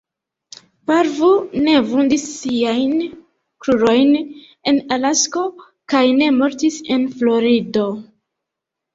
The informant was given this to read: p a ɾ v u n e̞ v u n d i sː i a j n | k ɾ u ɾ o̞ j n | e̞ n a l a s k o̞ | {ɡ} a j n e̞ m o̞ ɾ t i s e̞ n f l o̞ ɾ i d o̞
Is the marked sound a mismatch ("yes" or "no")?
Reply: yes